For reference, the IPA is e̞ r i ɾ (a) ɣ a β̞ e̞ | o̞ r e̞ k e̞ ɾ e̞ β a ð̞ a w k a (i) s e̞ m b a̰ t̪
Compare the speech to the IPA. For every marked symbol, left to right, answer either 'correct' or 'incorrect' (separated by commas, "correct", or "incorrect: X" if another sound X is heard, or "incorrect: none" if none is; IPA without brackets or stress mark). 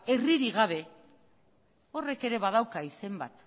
incorrect: i, correct